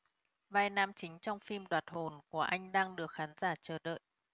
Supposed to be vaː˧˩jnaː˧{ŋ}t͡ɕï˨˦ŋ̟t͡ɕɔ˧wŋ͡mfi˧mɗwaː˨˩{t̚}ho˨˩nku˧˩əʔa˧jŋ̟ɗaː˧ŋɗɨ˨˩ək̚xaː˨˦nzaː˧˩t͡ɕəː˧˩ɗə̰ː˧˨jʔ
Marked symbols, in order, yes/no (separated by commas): no, yes